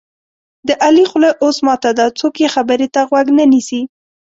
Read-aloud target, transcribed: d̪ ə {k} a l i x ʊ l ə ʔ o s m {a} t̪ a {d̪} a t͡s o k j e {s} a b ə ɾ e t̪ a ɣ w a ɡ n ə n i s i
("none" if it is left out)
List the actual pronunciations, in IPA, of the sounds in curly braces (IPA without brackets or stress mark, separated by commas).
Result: ʔ, ɑ, d̪, x